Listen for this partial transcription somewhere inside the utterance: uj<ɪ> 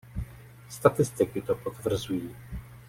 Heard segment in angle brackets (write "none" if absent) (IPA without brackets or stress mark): i